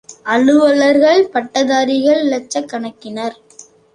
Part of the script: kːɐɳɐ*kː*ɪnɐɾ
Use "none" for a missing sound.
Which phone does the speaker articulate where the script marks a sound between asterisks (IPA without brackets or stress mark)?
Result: kː